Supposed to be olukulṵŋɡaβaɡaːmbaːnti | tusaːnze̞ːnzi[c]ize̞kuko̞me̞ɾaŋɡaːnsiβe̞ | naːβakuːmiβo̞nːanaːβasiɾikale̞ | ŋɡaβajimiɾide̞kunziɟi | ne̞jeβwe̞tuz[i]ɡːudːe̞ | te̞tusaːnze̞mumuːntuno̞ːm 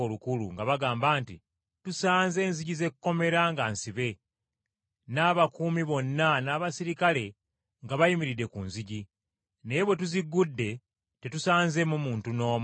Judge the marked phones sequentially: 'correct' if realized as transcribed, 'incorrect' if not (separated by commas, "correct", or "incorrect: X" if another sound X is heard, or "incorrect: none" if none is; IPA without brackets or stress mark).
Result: incorrect: ɟ, correct